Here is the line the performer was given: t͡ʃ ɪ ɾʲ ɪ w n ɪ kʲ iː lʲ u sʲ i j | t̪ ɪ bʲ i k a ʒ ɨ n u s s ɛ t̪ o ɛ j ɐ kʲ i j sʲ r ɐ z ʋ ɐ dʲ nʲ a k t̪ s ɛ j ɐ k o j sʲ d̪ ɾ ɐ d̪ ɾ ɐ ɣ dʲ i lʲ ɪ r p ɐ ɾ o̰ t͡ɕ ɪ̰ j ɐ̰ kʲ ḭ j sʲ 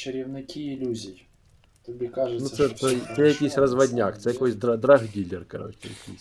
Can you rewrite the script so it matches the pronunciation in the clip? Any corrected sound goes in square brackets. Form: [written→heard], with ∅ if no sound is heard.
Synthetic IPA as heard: t͡ʃ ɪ ɾʲ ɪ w n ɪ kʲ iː lʲ u [sʲ→zʲ] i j | t̪ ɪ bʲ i k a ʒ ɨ n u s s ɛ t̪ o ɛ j ɐ kʲ i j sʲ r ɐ z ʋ ɐ dʲ nʲ a k t̪ s ɛ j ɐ k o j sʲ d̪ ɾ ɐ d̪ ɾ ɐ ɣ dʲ i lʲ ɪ r [p→k] ɐ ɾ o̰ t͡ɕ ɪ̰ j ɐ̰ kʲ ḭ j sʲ